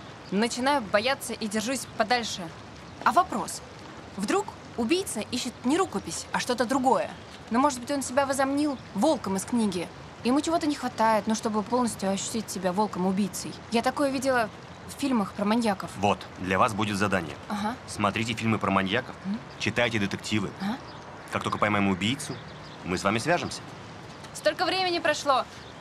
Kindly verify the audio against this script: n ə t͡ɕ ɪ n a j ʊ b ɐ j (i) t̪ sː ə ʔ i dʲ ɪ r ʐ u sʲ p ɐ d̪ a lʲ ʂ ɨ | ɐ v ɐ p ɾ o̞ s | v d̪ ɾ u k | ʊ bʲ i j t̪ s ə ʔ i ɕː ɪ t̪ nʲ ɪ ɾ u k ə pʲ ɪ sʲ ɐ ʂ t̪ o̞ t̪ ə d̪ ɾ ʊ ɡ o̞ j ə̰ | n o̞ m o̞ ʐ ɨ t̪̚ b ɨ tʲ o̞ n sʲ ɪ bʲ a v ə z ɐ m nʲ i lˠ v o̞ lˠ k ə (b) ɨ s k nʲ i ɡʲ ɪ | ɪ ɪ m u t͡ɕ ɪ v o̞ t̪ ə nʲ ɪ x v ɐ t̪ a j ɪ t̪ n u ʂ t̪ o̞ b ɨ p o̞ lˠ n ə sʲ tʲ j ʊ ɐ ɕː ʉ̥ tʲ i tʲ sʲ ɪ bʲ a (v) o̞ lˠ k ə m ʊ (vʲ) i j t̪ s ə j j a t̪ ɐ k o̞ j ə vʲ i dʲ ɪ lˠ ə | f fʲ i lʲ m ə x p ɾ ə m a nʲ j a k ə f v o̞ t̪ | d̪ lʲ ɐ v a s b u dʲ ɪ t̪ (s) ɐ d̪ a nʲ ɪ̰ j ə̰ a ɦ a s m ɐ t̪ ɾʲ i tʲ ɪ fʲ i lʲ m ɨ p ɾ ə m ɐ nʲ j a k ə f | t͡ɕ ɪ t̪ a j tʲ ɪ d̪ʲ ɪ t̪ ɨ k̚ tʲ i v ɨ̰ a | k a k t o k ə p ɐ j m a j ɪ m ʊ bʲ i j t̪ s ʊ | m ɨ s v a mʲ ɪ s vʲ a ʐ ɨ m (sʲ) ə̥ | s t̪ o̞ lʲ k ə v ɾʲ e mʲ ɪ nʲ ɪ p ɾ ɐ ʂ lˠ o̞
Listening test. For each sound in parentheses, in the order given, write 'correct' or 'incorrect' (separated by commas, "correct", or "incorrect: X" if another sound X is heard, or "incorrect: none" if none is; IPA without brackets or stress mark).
incorrect: a, incorrect: m, correct, incorrect: bʲ, incorrect: z, correct